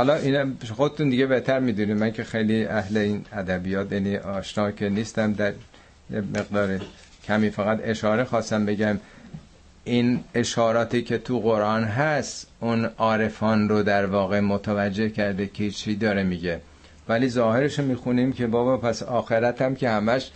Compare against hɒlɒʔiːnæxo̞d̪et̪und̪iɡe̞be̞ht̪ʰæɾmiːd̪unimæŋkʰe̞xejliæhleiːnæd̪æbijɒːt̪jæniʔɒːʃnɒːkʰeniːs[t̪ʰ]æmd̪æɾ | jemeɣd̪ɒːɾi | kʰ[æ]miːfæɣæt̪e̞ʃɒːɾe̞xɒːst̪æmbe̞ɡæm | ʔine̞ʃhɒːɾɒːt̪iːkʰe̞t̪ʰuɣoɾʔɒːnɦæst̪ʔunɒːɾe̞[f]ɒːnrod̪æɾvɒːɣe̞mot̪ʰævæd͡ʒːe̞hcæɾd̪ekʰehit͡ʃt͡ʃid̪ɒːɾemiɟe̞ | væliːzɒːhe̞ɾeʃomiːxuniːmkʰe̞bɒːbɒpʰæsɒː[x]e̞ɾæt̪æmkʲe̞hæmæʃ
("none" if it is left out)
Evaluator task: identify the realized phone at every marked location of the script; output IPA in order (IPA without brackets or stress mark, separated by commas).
t̪, æ, f, x